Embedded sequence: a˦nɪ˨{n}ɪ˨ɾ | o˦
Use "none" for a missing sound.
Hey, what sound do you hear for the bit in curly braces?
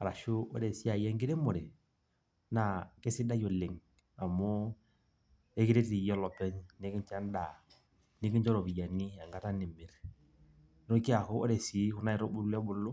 m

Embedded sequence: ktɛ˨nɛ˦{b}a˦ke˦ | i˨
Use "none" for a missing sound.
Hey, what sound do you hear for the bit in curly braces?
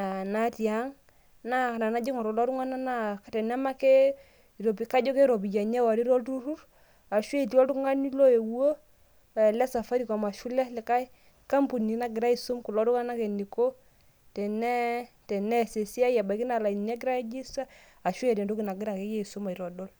m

